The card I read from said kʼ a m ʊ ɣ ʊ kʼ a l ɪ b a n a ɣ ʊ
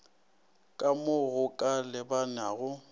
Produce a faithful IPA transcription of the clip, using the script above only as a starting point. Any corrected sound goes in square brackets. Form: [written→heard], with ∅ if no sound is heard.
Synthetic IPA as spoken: kʼ a m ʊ ɣ ʊ kʼ a l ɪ b a n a ɣ ʊ